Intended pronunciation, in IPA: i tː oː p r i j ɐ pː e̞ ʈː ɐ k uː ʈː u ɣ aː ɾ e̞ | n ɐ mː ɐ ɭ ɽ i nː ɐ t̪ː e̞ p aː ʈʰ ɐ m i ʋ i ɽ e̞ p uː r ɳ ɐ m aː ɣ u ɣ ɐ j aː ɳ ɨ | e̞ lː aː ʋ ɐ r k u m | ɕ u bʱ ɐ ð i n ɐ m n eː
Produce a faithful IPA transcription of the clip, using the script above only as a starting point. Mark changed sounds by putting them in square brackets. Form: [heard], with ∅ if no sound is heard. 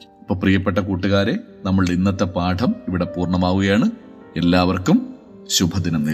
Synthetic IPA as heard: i [pː] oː p r i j ɐ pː e̞ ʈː ɐ k uː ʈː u ɣ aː ɾ e̞ | n ɐ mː ɐ ɭ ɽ i nː ɐ t̪ː e̞ p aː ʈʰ ɐ m i ʋ i ɽ e̞ p uː r ɳ ɐ m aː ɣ u ɣ ɐ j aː ɳ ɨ | e̞ lː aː ʋ ɐ r k u m | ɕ u bʱ ɐ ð i n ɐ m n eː